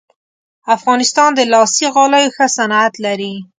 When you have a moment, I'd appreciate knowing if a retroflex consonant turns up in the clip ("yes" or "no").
no